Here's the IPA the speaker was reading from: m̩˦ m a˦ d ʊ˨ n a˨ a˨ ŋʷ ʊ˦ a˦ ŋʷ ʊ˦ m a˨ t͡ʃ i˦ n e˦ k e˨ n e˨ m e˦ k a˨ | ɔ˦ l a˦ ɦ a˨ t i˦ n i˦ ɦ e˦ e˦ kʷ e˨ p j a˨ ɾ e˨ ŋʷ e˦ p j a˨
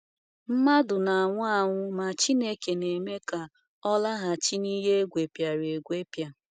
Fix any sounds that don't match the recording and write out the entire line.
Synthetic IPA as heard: m̩˦ m a˦ d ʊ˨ n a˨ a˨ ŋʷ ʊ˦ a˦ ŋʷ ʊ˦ m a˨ t͡ʃ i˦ n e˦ k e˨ n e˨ m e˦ k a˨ | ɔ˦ l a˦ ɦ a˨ t͡ʃ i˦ n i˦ ɦ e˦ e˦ ɡʷ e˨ p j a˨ ɾ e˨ ɡʷ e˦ p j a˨

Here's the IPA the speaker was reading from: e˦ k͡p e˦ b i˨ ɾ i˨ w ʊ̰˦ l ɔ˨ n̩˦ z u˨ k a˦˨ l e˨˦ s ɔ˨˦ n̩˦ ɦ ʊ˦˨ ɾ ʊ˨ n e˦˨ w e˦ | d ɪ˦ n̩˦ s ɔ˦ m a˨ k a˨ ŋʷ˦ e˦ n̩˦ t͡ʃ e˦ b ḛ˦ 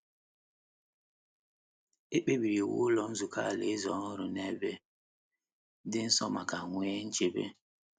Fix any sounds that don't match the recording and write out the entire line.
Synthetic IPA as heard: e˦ k͡p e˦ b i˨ ɾ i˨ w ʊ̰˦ l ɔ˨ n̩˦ z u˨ k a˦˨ l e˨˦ z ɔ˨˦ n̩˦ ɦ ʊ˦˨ ɾ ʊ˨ n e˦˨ b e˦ | d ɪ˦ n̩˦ s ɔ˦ m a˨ k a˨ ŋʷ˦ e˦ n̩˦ t͡ʃ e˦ b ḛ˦

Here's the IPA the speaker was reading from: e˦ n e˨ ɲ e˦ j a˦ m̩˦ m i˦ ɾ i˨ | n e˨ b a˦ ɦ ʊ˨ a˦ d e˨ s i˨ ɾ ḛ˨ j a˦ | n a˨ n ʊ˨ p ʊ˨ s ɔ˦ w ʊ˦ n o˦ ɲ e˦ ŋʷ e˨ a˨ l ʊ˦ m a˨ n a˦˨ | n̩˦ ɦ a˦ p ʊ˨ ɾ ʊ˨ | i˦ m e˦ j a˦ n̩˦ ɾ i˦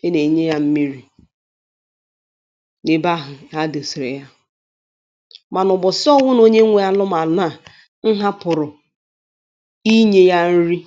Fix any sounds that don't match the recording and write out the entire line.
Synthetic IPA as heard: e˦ n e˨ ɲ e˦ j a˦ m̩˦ m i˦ ɾ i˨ | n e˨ b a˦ ɦ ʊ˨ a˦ d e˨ s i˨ ɾ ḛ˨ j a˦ | m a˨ n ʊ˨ b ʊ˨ s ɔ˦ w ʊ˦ n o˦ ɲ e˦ ŋʷ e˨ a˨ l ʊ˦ m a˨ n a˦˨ | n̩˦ ɦ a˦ p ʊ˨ ɾ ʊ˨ | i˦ ɲ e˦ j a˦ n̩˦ ɾ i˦

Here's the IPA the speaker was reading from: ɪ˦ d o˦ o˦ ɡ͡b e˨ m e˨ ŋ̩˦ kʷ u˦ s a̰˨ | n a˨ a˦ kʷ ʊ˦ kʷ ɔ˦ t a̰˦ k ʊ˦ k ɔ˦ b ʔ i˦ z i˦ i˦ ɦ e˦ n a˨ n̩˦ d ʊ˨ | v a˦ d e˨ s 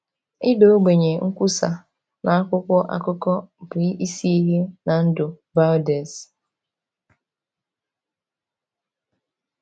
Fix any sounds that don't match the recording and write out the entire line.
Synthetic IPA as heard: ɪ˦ d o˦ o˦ ɡ͡b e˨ ɲ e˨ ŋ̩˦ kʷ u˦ s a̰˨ | n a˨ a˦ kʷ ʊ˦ kʷ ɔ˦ ʔ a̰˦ k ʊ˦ k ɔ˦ b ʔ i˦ s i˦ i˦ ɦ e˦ n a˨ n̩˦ d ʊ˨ | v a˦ d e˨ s

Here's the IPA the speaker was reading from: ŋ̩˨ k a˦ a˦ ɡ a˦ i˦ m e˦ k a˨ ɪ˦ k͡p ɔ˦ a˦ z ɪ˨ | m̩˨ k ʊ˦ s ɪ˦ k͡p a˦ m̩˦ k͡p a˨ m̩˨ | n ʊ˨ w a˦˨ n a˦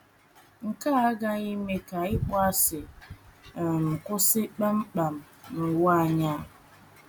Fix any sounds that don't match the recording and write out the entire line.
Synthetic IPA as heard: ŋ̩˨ k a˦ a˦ ɡ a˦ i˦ m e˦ k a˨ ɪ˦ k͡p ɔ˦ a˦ s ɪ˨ | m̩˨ k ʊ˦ s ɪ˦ k͡p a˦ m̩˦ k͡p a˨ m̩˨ | n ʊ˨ w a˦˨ ɲ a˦

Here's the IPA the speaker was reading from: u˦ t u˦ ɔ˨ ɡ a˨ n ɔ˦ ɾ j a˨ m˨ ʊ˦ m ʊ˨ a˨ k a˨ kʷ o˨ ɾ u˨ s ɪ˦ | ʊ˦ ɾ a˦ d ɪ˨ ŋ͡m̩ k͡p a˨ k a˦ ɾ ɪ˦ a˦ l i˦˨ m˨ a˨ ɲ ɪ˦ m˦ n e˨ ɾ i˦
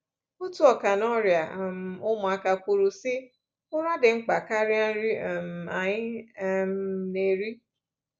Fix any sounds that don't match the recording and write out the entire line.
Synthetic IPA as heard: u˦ t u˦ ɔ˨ k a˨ n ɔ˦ ɾ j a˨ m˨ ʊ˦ m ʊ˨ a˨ k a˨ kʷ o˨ ɾ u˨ s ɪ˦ | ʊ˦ ɾ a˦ d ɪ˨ ŋ͡m̩ k͡p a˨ k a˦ ɾ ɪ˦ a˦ ɾ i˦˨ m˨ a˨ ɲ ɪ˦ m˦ n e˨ ɾ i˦

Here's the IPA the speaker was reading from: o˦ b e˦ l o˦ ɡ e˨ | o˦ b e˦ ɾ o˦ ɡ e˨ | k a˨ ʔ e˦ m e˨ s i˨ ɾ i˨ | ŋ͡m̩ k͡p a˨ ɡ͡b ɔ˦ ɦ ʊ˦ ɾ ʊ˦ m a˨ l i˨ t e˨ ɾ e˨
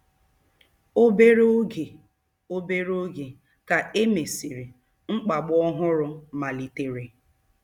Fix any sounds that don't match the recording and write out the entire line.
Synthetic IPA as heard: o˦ b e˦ ɾ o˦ ɡ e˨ | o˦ b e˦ ɾ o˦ ɡ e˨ | k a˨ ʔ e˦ m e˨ s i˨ ɾ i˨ | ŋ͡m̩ k͡p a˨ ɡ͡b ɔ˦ ɦ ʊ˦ ɾ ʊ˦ m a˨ l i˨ t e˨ ɾ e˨

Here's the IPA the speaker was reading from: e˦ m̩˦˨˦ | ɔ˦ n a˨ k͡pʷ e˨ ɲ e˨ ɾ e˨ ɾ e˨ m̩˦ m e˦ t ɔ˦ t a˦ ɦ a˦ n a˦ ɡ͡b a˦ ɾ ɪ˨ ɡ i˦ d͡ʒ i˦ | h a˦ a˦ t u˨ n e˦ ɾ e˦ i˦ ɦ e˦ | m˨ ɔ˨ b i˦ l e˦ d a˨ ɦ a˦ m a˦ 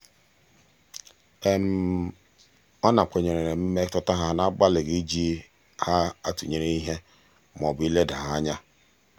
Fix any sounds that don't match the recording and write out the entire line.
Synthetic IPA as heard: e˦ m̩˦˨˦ | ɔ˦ n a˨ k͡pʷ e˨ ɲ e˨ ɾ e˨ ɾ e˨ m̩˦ m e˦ t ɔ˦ t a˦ ɦ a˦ n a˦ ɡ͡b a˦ l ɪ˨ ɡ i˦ d͡ʒ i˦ | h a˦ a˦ t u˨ ɲ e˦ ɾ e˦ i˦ ɦ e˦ | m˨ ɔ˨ b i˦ l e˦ d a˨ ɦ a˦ ɲ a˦

